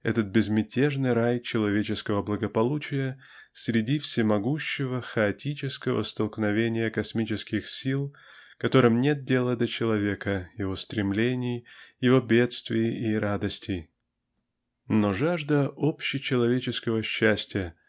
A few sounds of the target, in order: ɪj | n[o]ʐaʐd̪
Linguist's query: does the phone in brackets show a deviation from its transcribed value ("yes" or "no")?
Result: no